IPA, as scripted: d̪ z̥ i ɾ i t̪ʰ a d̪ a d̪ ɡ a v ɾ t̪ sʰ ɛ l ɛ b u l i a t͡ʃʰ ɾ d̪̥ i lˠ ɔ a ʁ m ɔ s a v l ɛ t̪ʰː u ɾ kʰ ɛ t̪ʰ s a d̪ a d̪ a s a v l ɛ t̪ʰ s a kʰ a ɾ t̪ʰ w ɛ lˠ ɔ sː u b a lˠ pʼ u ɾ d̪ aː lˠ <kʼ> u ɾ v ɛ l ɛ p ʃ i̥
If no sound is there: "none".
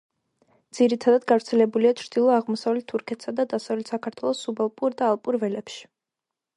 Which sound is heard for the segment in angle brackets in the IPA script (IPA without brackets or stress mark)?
pʼ